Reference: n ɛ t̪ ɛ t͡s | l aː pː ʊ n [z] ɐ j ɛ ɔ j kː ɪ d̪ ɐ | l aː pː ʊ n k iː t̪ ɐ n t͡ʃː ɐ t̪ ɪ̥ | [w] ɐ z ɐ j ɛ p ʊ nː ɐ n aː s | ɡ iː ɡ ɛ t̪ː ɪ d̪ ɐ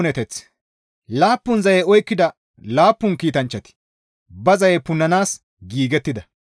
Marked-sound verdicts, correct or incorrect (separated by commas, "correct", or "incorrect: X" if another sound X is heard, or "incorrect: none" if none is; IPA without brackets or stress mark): correct, incorrect: b